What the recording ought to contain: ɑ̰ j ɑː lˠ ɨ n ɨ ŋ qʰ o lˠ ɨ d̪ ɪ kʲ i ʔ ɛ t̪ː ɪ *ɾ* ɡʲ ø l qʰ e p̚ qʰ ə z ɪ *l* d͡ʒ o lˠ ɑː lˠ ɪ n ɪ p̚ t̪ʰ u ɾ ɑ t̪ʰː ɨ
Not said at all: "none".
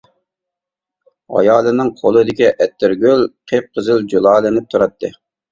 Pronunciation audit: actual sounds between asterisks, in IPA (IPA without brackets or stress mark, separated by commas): ɾ, l